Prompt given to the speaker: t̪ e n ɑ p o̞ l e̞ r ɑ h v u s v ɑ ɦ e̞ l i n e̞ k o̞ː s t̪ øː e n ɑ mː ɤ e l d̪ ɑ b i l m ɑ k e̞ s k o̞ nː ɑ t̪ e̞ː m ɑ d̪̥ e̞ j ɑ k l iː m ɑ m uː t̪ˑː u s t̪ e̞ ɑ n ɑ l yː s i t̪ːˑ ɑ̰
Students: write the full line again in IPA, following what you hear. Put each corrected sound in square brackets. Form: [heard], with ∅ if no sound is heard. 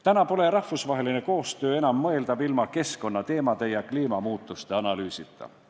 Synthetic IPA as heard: t̪ [æ] n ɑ p o̞ l e̞ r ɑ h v u s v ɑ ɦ e̞ l i n e̞ k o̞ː s t̪ øː e n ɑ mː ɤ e l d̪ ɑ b i l m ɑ k e̞ s k o̞ nː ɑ t̪ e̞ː m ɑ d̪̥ e̞ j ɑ k l iː m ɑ m uː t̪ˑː u s t̪ e̞ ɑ n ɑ l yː s i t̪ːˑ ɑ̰